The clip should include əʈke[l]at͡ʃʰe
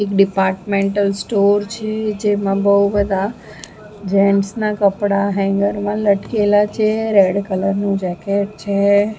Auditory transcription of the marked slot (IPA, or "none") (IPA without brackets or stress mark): l